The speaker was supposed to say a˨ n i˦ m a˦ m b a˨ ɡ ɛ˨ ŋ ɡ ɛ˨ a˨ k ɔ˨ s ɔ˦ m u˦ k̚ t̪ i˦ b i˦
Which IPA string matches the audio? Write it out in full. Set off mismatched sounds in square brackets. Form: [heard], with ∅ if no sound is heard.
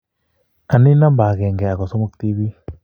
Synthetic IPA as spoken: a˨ n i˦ [n] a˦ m b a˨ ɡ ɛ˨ ŋ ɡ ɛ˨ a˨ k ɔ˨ s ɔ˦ m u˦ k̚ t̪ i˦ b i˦